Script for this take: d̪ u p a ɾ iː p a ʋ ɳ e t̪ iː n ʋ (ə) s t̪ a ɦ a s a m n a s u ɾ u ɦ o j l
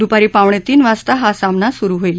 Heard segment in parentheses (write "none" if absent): a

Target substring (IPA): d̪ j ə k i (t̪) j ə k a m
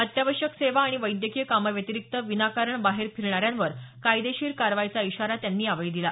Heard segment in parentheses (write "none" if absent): none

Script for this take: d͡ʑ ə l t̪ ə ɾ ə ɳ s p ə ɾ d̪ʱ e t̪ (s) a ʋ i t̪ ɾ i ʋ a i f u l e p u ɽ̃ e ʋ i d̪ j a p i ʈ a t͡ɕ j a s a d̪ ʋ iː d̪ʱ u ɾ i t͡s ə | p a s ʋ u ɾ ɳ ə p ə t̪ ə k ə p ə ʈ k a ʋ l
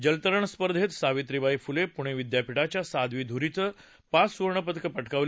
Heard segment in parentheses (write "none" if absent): s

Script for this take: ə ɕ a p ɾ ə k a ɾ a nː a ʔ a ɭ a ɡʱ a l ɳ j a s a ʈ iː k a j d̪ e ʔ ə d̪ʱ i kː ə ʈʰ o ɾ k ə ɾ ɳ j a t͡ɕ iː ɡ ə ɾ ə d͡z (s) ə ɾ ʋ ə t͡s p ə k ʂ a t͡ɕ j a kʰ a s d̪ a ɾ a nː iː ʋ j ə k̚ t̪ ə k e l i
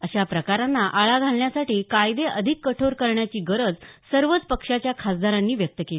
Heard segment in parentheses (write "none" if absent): s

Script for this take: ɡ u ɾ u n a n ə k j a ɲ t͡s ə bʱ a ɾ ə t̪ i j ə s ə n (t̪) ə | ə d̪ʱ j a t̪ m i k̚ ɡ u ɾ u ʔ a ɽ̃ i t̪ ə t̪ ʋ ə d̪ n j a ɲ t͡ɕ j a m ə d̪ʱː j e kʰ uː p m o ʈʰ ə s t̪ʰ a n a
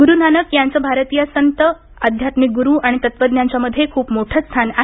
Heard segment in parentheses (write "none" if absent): t̪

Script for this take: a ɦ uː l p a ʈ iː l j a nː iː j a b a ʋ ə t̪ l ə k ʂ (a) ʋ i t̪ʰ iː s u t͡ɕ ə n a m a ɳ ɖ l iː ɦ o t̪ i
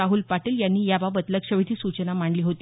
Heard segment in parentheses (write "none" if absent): ə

